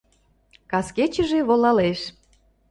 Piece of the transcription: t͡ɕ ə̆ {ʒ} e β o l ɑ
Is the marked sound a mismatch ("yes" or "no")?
no